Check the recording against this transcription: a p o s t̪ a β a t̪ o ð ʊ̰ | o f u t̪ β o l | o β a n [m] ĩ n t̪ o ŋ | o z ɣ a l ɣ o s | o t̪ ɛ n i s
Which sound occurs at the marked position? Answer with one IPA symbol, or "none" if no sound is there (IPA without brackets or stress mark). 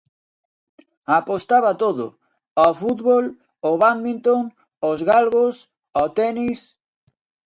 m